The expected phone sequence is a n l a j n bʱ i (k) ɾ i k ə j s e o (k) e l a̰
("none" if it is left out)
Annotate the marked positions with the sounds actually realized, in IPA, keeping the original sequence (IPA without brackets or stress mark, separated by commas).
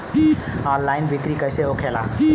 k, kʰ